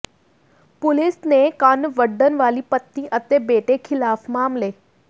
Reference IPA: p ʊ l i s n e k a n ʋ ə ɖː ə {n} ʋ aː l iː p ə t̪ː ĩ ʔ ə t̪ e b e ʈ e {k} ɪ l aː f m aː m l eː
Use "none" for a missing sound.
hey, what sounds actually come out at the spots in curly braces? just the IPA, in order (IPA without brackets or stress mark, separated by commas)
n, kʰ